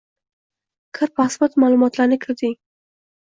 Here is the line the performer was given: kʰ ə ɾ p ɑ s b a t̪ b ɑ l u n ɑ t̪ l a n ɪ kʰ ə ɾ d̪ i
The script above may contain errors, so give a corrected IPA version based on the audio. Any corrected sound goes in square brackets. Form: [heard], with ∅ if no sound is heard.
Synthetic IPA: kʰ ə ɾ p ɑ s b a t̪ [m] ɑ l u [m] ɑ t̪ l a n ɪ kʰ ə ɾ d̪ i